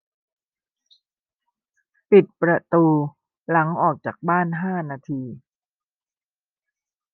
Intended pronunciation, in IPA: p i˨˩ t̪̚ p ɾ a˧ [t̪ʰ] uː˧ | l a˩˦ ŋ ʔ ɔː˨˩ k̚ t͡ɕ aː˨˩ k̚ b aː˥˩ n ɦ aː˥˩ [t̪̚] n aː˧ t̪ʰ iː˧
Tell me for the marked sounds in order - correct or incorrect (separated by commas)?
incorrect, incorrect